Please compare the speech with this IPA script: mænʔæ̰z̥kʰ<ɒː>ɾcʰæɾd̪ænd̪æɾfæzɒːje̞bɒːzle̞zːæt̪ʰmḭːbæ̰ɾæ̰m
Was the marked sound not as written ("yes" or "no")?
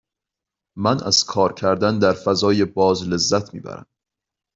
no